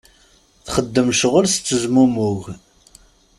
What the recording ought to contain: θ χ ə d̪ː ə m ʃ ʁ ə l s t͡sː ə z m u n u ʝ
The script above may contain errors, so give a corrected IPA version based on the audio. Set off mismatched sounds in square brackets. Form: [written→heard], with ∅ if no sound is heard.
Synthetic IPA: θ χ ə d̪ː ə m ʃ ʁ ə l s t͡sː ə z m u [n→m] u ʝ